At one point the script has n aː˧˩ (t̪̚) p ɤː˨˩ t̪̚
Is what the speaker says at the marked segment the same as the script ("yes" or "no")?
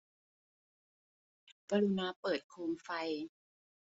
no